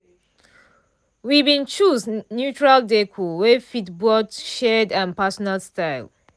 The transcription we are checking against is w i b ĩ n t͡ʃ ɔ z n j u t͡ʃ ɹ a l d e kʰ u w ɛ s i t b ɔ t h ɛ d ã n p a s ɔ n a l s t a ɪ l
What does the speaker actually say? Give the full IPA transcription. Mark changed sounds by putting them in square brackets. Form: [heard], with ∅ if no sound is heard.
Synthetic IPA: w i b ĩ n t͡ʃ [u] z n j u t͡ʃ ɹ a l d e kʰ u w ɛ [f] i t b ɔ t [ʃ] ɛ d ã n p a s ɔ n a l s t a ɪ l